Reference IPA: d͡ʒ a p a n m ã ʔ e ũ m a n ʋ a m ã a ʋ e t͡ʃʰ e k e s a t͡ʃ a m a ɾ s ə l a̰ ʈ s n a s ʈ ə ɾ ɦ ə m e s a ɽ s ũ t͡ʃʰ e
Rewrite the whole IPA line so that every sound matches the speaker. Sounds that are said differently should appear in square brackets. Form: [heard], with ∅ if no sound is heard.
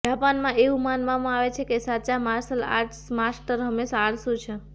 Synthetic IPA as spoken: d͡ʒ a p a n m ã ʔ e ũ m a n ʋ a m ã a ʋ e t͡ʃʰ e k e s a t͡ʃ a m a ɾ s ə l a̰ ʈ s [m] a s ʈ ə ɾ ɦ ə m e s a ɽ s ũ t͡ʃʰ e